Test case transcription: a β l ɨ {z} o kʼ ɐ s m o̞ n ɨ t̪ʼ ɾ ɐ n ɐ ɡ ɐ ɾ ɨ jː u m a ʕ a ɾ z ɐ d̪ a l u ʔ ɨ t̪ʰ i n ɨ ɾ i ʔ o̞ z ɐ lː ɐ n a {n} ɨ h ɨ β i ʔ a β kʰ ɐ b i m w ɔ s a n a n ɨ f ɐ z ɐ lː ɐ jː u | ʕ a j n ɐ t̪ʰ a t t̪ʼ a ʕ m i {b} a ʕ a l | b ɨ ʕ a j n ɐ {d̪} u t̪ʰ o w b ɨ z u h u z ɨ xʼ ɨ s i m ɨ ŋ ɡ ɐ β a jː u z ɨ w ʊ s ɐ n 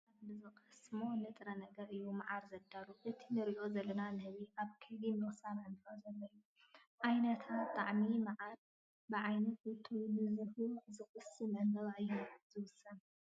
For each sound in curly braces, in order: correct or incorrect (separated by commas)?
correct, correct, incorrect, incorrect